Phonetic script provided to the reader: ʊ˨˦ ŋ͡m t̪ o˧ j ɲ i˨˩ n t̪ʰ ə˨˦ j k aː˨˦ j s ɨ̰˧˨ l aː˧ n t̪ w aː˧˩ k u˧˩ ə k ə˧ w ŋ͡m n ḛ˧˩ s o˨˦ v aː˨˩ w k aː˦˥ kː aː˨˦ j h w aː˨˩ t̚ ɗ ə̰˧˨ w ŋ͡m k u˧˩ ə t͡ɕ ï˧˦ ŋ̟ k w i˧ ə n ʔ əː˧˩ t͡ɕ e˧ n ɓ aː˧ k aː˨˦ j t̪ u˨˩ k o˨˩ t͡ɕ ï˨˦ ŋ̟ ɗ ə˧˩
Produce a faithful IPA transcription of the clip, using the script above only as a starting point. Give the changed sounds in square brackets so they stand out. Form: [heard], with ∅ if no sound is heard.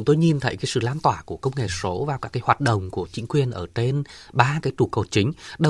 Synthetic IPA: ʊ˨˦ ŋ͡m t̪ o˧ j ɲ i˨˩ n t̪ʰ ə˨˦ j k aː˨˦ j s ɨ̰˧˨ l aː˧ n t̪ w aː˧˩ k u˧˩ ə k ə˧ w ŋ͡m [ŋ] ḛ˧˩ s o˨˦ v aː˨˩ w k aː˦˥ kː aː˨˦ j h w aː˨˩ t̚ ɗ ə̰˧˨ w ŋ͡m k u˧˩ ə t͡ɕ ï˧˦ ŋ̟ k w [i˨˩] ə n ʔ əː˧˩ t͡ɕ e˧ n ɓ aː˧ k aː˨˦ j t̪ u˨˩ k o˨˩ t͡ɕ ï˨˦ ŋ̟ ɗ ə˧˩